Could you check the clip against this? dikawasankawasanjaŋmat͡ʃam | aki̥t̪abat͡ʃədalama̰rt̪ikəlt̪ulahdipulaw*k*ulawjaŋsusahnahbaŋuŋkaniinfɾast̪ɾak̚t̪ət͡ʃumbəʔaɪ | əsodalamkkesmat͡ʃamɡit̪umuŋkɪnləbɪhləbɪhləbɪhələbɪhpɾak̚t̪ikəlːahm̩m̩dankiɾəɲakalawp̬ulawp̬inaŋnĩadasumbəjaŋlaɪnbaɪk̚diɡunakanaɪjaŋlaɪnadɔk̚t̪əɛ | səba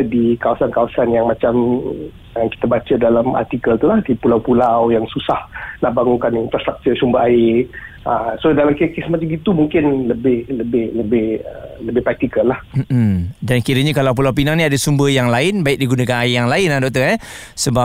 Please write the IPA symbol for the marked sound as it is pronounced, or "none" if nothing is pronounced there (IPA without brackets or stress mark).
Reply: p